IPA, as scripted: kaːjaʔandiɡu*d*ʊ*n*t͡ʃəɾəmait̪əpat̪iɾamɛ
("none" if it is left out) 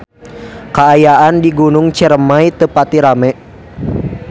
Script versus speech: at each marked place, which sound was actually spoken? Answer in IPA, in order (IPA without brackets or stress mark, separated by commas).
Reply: n, ŋ